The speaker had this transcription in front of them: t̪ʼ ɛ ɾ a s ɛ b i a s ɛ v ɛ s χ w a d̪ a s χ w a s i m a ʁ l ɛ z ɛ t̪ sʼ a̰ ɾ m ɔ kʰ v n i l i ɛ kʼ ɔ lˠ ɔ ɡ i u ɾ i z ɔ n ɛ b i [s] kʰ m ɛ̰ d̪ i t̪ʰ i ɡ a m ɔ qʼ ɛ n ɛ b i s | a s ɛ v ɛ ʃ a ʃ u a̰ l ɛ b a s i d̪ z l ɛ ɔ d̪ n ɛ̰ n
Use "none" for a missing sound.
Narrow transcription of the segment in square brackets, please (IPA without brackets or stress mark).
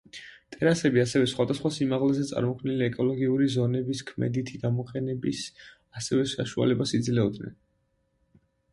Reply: s